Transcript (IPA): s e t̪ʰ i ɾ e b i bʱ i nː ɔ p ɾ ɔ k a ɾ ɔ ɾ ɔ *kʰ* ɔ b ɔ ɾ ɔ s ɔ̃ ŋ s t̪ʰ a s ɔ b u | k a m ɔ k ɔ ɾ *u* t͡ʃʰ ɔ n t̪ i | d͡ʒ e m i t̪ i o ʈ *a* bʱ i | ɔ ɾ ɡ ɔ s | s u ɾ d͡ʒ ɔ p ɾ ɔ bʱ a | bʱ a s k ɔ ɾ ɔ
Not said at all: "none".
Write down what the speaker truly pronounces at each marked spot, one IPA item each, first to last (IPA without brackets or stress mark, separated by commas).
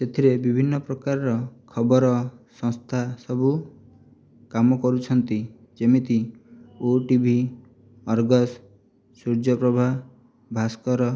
kʰ, u, i